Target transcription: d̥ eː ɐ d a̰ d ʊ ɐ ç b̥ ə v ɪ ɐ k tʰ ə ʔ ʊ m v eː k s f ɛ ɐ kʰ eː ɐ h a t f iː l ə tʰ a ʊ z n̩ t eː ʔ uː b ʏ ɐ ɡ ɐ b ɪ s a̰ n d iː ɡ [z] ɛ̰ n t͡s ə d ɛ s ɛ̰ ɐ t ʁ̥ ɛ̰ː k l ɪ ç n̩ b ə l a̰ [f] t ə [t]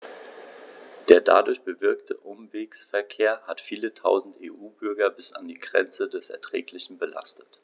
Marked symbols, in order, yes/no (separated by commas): no, no, yes